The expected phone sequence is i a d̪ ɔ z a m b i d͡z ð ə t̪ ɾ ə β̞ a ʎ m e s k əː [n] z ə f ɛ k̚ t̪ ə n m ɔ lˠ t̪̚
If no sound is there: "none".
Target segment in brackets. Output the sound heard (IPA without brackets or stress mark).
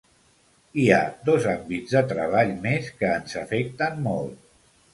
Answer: n